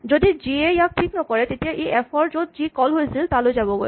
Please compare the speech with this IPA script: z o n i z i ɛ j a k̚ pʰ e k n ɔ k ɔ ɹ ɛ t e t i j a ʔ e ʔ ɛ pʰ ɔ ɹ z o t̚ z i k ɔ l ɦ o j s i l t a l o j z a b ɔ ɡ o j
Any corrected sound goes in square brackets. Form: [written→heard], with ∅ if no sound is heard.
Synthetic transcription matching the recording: z o [n→d] i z i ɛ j a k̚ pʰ [e→i] k n ɔ k ɔ ɹ ɛ t e t i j a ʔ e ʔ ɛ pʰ ɔ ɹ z o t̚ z i k ɔ l ɦ o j s i l t a l o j z a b ɔ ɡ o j